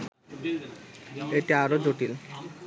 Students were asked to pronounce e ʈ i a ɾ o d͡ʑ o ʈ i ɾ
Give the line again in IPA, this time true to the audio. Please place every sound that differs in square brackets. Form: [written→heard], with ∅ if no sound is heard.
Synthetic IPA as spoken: e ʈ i a ɾ o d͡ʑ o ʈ i [ɾ→l]